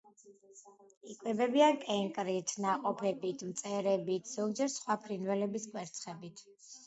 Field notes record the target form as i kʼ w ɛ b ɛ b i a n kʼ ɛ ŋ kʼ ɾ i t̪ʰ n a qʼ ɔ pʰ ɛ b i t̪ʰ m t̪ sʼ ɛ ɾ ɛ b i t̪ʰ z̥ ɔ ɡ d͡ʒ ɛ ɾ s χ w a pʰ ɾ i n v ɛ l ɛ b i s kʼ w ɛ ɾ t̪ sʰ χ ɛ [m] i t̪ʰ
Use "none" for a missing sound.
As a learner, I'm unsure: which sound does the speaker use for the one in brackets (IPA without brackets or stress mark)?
b